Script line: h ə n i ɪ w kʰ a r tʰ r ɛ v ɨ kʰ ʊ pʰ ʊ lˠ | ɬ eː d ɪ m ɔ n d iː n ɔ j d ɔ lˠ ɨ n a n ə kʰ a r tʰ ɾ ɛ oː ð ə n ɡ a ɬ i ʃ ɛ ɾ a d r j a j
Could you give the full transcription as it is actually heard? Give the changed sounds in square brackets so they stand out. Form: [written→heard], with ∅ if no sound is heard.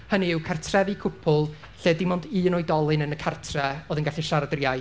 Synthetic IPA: h ə n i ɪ w kʰ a r tʰ r ɛ v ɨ kʰ ʊ pʰ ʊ lˠ | ɬ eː d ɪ m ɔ n d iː n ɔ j d ɔ lˠ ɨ n [a→ə] n ə kʰ a r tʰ [ɾ→r] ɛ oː ð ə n ɡ a ɬ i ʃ [ɛ→a] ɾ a d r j a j